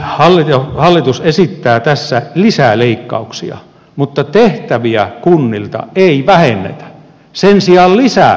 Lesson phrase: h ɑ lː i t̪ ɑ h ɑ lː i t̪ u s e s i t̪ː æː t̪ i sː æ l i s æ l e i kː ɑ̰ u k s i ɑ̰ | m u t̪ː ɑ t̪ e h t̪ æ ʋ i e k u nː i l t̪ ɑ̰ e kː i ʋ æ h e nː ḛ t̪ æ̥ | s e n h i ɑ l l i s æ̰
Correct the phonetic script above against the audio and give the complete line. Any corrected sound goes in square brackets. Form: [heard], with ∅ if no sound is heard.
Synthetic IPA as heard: h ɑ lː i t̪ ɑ h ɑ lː i t̪ u s e s i t̪ː æː t̪ [æ] sː æ l i s æ l e i kː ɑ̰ u k s i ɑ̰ | m u t̪ː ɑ t̪ e h t̪ æ ʋ i [æ] k u nː i l t̪ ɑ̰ e [∅] i ʋ æ h e nː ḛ t̪ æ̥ | s e n [s] i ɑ l l i s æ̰